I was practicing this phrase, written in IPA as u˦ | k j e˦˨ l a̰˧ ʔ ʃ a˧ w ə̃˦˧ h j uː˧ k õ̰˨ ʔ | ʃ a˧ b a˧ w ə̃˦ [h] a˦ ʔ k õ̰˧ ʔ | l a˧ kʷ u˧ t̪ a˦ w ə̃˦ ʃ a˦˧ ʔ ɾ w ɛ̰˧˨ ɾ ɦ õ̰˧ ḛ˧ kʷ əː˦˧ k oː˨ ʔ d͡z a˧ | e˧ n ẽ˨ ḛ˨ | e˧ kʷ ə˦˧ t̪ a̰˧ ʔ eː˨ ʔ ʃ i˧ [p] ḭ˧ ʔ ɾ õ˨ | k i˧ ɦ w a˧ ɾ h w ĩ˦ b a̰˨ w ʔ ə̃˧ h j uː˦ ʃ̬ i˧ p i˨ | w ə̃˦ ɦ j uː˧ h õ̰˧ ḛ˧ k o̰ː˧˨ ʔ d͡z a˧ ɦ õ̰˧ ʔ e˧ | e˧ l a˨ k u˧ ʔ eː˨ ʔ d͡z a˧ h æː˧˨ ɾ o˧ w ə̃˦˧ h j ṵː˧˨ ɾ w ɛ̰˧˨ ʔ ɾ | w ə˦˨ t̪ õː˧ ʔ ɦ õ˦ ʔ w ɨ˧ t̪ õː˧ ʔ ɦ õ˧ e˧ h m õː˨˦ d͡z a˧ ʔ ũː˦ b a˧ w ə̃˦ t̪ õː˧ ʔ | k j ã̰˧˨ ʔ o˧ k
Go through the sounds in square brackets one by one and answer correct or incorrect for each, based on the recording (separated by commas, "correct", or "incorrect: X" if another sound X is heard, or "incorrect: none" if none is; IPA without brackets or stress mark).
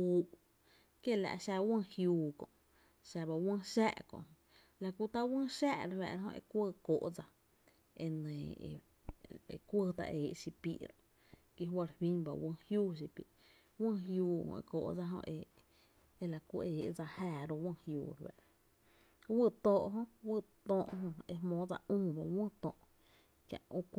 incorrect: ʃ, correct